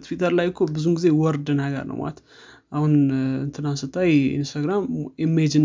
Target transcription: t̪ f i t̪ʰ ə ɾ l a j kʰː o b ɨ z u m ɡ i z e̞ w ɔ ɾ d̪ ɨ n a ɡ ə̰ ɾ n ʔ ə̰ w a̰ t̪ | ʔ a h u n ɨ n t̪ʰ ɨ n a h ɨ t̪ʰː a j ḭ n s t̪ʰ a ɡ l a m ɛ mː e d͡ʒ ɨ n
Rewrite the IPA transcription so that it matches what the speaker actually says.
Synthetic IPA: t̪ f i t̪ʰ ə ɾ l a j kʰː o b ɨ z u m ɡ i z e̞ w ɔ ɾ d̪ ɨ n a ɡ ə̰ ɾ n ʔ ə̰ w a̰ t̪ | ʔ a h u n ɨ n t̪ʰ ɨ n a s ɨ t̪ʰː a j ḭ n s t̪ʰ a ɡ ɾ a m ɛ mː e d͡ʒ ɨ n